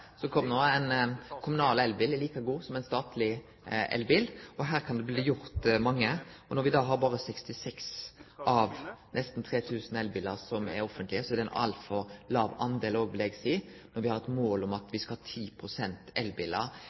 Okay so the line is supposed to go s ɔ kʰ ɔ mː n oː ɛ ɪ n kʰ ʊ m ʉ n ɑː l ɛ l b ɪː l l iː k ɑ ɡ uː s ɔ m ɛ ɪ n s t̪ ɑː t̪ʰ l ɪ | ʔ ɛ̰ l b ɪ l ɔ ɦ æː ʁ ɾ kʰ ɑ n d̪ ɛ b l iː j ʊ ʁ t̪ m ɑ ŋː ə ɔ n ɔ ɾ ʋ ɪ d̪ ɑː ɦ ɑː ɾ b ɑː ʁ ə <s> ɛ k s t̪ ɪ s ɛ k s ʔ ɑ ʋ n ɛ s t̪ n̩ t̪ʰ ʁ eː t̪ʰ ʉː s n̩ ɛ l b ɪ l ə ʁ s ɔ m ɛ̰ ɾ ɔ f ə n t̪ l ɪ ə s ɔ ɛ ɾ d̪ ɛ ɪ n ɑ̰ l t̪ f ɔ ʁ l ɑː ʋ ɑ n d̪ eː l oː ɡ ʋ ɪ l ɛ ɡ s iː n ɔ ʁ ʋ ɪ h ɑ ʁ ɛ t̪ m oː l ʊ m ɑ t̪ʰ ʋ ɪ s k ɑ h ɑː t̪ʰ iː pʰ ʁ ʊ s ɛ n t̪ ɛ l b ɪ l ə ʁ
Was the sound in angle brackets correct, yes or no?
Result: yes